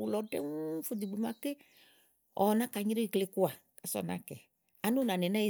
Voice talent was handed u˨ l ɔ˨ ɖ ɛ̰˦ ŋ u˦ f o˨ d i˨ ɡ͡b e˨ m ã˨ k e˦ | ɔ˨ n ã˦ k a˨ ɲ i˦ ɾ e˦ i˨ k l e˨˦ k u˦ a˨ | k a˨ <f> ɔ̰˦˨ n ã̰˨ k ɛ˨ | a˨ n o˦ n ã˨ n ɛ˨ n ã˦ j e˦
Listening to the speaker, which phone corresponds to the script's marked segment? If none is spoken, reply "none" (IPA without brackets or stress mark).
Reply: s